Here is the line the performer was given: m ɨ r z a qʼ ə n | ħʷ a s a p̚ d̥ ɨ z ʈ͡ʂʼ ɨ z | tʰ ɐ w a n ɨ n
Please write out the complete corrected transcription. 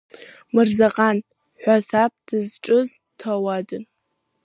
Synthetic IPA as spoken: m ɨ r z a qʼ a n | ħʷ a s a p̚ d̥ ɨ z ʈ͡ʂʼ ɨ z | tʰ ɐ w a d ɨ n